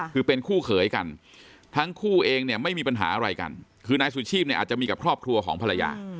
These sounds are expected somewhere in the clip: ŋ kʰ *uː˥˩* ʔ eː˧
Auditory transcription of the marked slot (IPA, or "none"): uː˥˩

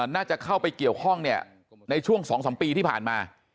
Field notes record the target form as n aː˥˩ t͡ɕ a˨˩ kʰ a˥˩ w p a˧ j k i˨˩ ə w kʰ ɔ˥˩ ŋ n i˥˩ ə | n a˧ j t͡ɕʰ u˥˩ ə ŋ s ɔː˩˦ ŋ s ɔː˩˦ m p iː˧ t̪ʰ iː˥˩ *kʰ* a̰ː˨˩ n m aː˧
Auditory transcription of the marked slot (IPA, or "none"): pʰ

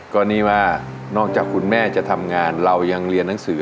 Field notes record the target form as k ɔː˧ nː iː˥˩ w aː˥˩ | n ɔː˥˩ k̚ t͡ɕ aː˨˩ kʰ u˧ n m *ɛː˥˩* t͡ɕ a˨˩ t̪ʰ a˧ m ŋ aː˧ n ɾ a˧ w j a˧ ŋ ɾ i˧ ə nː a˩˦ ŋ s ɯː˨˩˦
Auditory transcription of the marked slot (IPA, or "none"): ɛː˥˩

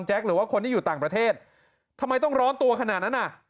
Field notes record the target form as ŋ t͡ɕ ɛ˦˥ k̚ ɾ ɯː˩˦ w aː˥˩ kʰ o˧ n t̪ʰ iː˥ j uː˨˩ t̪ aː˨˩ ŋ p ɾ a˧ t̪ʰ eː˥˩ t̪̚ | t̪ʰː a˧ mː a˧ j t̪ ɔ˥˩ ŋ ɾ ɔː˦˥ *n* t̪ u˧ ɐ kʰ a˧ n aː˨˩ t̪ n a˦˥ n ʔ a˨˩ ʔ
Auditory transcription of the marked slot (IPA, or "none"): n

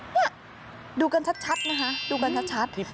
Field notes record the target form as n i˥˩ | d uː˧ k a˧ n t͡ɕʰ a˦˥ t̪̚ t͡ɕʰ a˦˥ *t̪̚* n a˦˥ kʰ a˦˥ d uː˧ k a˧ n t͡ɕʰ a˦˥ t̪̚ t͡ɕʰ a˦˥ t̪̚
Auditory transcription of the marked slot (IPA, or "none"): t̪̚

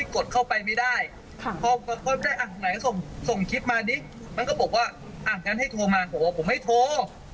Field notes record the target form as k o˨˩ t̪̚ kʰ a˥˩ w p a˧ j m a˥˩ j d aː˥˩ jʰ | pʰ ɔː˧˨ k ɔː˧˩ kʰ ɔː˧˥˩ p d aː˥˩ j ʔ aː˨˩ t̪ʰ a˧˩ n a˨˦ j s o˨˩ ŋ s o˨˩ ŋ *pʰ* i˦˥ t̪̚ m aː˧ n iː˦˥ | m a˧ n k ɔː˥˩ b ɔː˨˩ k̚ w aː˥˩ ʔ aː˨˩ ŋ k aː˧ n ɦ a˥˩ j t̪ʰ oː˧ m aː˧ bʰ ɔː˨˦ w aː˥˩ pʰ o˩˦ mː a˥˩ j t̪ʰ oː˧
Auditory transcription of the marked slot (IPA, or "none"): kʰ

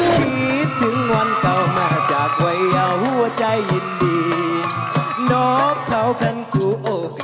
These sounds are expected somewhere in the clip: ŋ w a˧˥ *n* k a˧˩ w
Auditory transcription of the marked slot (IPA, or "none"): n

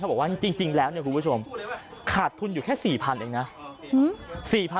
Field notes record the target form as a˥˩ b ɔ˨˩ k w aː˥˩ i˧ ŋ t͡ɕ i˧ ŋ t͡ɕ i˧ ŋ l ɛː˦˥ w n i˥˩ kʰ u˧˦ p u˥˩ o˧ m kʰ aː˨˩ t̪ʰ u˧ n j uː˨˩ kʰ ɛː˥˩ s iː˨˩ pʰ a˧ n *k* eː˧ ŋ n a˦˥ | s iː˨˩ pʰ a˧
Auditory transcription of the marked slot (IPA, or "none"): ʔ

